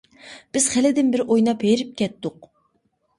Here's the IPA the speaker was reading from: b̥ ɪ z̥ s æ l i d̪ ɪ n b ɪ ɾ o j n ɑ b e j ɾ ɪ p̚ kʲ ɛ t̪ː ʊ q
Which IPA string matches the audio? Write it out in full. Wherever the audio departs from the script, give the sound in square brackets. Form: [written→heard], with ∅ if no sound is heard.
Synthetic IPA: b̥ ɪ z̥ [s→χ] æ l [i→ɪ] d̪ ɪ n b ɪ ɾ o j n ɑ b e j ɾ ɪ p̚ kʲ ɛ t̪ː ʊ q